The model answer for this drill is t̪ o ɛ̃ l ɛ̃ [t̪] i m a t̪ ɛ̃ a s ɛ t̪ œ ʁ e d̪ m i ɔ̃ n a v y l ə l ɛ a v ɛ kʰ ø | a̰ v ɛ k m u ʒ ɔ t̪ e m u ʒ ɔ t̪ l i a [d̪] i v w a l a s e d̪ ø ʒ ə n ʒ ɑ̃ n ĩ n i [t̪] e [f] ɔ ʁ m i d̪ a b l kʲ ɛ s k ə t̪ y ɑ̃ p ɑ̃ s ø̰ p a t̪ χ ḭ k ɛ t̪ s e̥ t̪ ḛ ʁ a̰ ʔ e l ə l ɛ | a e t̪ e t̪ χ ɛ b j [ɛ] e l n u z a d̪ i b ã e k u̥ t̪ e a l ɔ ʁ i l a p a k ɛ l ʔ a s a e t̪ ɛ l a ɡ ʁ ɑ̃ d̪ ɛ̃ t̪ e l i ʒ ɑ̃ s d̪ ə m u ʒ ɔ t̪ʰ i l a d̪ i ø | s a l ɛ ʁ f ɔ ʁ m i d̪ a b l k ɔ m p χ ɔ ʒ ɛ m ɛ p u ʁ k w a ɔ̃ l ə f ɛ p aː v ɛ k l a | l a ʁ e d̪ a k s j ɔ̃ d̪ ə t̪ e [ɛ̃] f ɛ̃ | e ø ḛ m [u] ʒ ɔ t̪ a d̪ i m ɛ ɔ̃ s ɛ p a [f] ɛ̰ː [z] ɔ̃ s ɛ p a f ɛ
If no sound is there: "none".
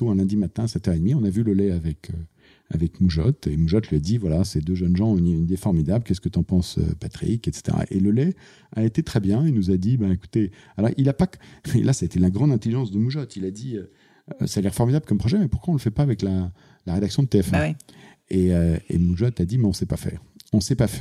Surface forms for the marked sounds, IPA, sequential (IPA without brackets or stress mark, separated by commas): d̪, d̪, d̪, f, ɛ̃, ɛ, u, f, ʁ